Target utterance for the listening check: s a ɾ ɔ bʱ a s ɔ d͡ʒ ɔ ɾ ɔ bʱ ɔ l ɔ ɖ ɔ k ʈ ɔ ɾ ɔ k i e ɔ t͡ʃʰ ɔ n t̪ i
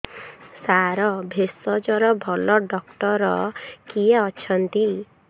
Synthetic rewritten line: s a ɾ ɔ bʱ e s ɔ d͡ʒ ɔ ɾ ɔ bʱ ɔ l ɔ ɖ ɔ k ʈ ɔ ɾ ɔ k i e ɔ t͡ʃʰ ɔ n t̪ i